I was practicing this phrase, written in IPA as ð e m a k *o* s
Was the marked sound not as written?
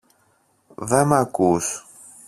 yes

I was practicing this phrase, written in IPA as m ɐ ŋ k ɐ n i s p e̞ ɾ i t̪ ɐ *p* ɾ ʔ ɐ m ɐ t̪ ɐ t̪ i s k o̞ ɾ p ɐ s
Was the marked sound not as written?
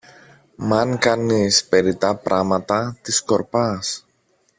no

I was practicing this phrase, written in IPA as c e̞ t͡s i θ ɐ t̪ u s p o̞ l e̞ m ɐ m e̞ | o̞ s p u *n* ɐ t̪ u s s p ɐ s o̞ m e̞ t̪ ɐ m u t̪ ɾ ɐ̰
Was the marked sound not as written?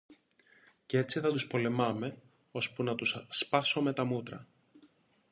no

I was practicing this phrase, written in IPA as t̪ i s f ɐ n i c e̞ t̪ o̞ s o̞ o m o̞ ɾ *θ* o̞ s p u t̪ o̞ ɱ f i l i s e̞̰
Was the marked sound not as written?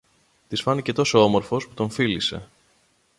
yes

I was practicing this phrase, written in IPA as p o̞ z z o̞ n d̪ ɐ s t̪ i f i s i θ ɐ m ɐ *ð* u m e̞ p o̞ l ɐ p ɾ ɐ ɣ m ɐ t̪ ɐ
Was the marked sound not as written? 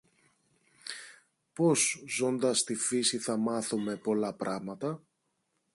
yes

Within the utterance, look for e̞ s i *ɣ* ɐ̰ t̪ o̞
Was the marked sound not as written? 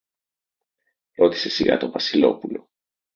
no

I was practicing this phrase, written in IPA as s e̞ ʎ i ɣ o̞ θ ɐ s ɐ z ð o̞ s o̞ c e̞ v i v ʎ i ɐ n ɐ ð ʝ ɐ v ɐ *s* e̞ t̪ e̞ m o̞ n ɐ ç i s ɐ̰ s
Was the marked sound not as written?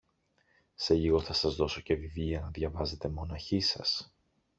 yes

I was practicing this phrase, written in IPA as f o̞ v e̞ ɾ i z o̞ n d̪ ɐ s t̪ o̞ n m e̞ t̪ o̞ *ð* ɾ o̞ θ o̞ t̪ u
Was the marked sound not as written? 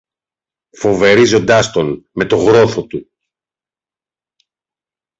yes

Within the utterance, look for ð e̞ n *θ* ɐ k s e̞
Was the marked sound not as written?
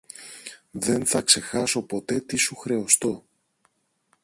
no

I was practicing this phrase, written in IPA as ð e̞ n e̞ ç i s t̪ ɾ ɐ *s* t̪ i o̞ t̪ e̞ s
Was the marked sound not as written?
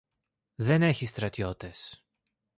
yes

